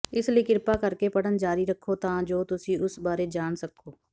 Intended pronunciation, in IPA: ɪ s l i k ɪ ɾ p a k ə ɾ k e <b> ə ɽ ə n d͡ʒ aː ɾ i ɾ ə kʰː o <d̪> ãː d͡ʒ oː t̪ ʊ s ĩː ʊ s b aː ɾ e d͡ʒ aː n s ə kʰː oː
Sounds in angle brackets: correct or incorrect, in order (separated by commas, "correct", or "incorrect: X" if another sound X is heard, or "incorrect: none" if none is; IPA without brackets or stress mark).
incorrect: p, incorrect: t̪